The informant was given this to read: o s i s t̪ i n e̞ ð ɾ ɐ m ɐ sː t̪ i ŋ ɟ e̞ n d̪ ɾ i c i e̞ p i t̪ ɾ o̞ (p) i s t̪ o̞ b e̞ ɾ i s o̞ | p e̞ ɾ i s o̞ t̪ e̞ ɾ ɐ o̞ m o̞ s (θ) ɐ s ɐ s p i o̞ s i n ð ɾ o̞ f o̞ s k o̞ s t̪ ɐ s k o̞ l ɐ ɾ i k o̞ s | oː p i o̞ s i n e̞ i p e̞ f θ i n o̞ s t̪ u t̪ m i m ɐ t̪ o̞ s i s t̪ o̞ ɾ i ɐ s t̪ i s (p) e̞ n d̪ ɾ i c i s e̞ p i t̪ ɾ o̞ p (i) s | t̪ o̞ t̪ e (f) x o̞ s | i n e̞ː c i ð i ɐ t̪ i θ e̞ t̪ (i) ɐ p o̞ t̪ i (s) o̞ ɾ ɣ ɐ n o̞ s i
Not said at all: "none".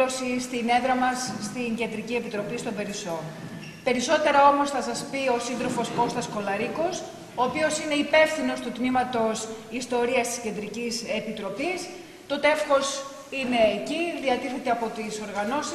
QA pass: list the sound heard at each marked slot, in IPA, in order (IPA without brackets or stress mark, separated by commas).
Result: p, θ, c, i, f, e, s